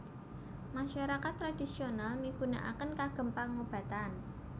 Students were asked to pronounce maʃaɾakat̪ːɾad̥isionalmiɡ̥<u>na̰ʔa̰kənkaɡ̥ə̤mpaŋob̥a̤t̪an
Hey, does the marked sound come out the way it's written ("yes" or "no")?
yes